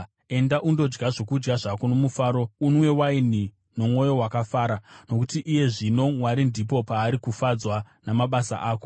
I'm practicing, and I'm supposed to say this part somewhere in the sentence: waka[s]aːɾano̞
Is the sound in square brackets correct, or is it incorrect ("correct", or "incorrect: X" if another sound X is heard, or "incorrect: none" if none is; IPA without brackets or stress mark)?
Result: incorrect: f